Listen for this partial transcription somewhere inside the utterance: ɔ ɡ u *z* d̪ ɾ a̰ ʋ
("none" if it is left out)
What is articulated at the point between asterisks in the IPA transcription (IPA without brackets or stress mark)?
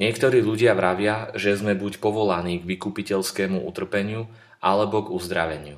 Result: z